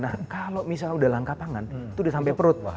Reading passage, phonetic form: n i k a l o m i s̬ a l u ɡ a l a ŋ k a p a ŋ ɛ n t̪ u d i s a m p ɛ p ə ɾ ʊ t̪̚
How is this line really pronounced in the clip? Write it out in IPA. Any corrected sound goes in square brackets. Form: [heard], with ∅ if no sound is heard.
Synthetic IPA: n [a] k a l o m i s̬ a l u [d] a l a ŋ k a p a ŋ [a] n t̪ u d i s a m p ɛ p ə ɾ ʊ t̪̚